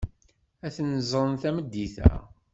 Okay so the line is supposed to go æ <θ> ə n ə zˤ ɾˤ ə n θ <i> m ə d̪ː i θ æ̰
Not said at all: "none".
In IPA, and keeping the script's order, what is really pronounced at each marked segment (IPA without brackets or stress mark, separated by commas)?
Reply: θ, æ